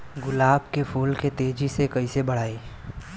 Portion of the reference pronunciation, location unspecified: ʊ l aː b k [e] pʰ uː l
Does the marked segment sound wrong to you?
no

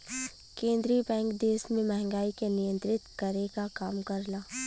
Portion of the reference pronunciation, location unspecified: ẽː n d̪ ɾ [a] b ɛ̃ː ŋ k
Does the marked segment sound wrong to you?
yes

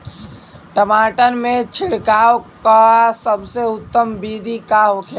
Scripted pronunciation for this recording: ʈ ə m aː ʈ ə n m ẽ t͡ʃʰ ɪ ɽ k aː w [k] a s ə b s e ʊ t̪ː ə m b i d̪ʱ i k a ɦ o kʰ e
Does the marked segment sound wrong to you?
no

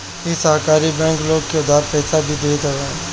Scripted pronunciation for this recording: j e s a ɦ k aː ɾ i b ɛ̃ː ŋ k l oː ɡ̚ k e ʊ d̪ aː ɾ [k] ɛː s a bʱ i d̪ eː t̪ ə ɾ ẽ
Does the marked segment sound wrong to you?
yes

